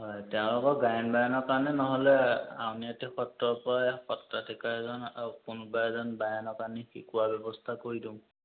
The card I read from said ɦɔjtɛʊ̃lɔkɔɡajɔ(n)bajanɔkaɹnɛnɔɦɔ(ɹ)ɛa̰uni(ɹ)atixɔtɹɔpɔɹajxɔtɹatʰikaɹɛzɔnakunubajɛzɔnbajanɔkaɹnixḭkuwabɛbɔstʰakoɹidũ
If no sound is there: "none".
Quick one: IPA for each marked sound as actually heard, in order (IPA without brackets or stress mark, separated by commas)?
n, l, none